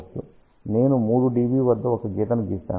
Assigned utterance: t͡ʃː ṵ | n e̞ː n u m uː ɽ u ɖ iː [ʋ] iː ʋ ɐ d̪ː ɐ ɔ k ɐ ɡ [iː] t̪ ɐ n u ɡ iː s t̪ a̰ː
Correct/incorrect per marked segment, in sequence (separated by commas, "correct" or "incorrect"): correct, correct